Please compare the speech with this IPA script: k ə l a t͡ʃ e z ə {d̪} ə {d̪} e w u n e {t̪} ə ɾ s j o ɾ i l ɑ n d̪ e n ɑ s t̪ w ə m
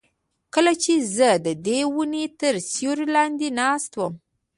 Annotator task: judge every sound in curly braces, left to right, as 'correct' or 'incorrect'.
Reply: correct, correct, correct

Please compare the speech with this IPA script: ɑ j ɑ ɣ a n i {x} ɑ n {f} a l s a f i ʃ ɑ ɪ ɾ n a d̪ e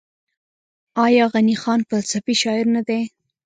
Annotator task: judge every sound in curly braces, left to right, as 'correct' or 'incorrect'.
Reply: correct, correct

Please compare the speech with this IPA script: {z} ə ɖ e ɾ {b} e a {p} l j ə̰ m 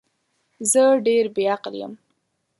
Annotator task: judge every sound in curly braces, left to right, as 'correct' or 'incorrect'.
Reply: correct, correct, incorrect

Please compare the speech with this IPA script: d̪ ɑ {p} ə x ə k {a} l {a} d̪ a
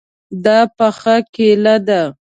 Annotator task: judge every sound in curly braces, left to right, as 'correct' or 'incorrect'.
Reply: correct, incorrect, correct

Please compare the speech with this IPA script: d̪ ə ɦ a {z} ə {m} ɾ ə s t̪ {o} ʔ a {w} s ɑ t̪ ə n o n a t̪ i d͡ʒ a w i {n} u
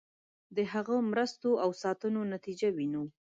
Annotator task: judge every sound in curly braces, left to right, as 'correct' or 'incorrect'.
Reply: incorrect, correct, correct, correct, correct

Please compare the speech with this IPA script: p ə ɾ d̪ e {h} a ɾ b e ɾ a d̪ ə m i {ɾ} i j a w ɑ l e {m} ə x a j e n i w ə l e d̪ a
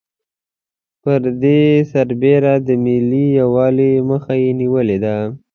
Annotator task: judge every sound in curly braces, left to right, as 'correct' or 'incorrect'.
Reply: incorrect, incorrect, correct

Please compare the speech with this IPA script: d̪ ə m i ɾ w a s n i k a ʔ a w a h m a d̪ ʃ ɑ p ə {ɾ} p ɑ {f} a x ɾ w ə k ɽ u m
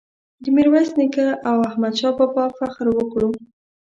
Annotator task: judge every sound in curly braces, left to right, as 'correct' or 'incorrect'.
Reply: incorrect, correct

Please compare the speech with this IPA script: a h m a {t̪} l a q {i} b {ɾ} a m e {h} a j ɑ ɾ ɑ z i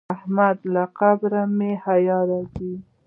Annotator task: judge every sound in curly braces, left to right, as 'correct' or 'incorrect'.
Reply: incorrect, incorrect, correct, correct

